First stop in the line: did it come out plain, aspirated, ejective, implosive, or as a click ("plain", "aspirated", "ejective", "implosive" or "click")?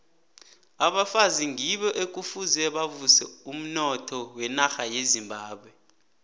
implosive